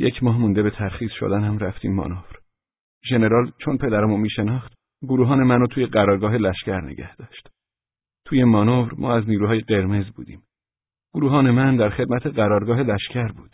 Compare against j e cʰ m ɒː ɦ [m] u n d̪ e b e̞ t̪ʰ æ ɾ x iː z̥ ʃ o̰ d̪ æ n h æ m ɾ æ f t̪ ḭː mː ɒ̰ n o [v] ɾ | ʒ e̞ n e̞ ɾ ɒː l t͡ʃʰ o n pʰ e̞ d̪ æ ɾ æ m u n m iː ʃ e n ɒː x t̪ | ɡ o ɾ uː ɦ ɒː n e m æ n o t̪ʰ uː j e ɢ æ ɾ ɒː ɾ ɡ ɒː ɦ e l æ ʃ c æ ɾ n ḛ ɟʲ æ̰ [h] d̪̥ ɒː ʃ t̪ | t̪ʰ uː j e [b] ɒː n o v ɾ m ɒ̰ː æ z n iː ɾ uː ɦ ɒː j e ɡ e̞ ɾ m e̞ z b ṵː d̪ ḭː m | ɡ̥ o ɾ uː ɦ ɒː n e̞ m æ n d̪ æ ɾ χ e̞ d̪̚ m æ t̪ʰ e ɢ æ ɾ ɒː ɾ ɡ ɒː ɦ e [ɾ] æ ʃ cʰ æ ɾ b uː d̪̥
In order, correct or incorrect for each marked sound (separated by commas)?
correct, correct, correct, incorrect, incorrect